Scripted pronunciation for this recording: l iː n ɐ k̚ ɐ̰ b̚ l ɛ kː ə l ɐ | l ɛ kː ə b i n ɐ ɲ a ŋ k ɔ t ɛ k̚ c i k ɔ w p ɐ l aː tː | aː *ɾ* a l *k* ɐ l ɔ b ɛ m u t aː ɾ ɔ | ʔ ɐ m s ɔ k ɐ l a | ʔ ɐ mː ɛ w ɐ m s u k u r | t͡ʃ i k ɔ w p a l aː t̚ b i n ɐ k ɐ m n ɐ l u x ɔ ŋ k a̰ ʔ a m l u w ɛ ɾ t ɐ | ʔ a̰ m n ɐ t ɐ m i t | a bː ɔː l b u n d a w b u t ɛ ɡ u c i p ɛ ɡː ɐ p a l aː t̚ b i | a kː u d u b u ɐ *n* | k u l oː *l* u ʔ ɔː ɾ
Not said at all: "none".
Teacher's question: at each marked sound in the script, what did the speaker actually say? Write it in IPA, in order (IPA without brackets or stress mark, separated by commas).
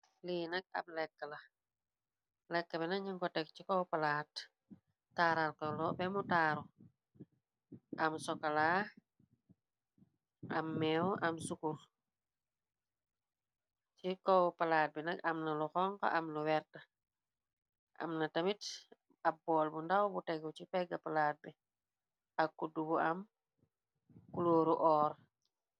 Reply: ɾ, k, m, ɾ